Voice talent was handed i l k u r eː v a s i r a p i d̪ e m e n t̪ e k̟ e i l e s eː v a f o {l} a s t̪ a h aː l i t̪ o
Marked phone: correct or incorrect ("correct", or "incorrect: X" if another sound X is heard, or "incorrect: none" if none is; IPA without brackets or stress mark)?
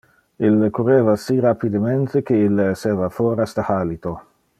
incorrect: ɾ